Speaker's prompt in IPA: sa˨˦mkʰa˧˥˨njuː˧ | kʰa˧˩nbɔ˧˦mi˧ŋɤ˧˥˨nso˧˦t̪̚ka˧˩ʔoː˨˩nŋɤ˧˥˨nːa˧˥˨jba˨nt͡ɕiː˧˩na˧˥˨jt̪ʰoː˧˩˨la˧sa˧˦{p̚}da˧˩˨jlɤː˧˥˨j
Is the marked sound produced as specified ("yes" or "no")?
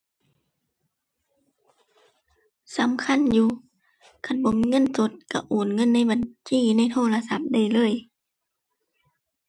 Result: yes